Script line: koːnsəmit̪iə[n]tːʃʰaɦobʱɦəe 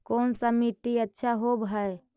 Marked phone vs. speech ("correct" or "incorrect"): incorrect